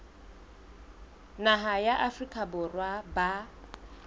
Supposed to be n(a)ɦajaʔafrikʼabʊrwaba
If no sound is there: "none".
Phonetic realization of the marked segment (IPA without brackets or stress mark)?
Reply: a